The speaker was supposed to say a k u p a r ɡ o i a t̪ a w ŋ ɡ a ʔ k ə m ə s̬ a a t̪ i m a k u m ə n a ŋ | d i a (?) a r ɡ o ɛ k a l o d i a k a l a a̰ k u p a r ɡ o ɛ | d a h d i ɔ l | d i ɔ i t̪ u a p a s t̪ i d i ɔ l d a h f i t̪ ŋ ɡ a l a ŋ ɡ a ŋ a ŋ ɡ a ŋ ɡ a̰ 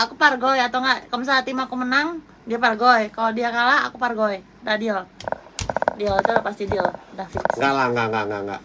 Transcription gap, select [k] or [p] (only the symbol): p